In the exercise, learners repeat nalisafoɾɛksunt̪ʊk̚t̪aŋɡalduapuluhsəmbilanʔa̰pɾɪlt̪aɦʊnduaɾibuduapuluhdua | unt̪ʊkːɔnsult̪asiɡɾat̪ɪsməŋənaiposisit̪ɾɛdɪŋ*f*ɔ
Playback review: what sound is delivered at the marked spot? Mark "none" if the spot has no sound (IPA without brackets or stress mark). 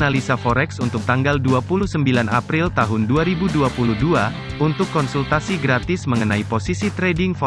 f